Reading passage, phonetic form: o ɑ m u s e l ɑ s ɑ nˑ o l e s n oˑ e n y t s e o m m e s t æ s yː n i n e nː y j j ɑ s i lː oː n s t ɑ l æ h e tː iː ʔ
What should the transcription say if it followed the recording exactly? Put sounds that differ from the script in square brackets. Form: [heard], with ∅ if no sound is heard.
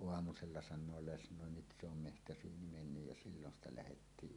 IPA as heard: o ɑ m u s e [lː] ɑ s ɑ nˑ [oː] l e s n oˑ e n y t s e o m m e [h] t æ s yː n i [m] e nː y j j ɑ s i lː [o] n s t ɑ l æ h e tː iː ʔ